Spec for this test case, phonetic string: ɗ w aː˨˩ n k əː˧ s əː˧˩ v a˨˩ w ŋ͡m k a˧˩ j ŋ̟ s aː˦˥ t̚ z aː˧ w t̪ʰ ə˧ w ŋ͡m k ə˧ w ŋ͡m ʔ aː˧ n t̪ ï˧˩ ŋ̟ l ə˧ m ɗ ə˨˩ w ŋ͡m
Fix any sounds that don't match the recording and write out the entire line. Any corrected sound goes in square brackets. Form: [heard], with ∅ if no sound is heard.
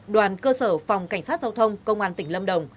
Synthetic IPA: ɗ w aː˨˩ n k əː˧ s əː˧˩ [f] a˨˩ w ŋ͡m k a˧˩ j ŋ̟ s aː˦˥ t̚ z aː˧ w t̪ʰ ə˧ w ŋ͡m k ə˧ w ŋ͡m ʔ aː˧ n t̪ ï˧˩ ŋ̟ l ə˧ m ɗ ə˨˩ w ŋ͡m